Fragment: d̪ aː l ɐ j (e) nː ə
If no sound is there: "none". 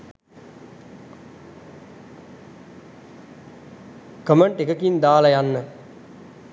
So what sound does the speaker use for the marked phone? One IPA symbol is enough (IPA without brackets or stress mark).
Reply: a